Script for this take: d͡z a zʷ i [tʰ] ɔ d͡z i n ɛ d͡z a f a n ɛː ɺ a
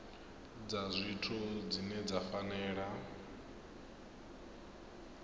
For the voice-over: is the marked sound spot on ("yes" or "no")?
yes